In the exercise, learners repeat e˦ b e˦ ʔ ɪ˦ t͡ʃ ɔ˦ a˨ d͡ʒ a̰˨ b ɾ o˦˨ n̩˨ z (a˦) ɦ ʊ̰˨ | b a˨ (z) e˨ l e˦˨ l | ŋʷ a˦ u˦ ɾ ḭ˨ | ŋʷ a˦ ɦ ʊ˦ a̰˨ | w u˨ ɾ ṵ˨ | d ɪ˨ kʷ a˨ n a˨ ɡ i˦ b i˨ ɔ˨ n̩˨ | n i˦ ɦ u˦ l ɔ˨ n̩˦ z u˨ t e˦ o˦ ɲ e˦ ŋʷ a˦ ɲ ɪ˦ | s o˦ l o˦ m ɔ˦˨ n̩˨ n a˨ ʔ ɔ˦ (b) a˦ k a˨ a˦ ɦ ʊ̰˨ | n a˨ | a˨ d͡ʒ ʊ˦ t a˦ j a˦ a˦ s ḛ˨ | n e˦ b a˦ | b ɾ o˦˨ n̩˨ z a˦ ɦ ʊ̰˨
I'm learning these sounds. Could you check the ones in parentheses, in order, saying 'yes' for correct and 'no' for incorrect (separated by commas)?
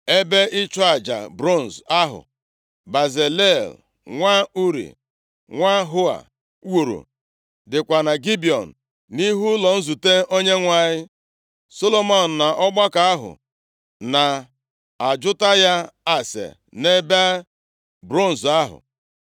yes, yes, no